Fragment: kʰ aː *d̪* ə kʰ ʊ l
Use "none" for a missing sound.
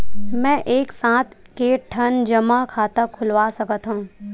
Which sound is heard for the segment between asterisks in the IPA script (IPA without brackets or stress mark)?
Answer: t̪